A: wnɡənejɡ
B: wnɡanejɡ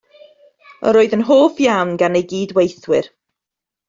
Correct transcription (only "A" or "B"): B